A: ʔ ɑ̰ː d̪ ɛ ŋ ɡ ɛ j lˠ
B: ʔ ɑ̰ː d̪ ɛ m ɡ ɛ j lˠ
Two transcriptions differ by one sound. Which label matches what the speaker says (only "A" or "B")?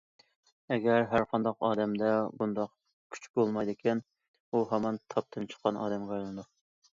B